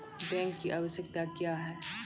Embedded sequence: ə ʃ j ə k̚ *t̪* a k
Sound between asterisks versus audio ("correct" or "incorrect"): correct